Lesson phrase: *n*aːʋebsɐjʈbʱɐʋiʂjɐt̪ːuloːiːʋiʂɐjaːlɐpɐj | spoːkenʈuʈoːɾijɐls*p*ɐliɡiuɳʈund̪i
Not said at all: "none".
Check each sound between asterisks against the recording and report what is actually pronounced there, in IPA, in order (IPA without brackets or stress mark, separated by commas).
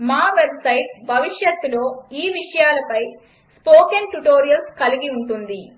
m, k